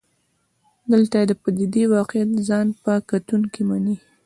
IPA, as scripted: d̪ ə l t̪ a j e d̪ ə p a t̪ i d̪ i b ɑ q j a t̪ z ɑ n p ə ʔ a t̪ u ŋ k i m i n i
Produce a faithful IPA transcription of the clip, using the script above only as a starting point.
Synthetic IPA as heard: d̪ ə l t̪ a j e d̪ ə p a d̪ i d̪ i w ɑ q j a t̪ z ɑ n p ə k a t̪ u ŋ k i m a n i

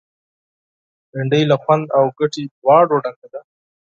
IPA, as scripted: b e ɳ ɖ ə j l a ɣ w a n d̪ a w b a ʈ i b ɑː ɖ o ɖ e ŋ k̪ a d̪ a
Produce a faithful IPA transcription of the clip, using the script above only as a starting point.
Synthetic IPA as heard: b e ɳ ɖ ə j l a x w a n d̪ a w ɡ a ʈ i w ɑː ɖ o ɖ a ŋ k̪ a d̪ a

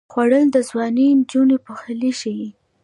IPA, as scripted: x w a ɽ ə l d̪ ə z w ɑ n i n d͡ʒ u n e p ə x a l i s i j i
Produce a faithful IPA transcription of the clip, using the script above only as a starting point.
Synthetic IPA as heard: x w a ɽ ə l d̪ ə z w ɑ n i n d͡ʒ u n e p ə x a l i ʃ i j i

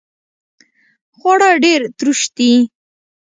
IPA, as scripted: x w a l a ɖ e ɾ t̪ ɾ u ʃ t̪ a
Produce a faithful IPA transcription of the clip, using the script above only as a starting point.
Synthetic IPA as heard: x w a ɽ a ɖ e ɾ t̪ ɾ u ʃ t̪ i

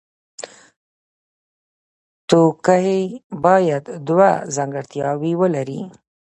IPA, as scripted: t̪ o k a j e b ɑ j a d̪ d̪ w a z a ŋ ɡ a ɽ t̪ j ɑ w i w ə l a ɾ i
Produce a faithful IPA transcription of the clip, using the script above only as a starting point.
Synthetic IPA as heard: t̪ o k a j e b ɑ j a d̪ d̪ w a z a ŋ ɡ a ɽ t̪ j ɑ w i w ə l a ɾ i

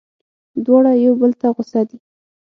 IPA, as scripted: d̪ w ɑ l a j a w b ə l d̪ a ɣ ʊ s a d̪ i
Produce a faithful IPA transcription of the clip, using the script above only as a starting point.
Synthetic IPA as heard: d̪ w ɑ ɽ a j a w b ə l t̪ a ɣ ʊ s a d̪ i

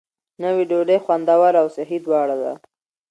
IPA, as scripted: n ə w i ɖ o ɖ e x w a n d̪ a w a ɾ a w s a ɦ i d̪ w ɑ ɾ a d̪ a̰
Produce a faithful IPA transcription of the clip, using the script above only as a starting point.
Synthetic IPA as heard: n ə w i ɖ o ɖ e x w a n d̪ a w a ɾ a w s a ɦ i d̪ w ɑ ɽ a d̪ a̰

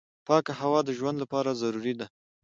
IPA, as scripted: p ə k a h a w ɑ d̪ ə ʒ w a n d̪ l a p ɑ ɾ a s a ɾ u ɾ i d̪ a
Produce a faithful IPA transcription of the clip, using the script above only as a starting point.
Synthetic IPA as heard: p ɑ k a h a w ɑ d̪ ə ʒ w a n d̪ l a p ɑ ɾ a z a ɾ u ɾ i d̪ a

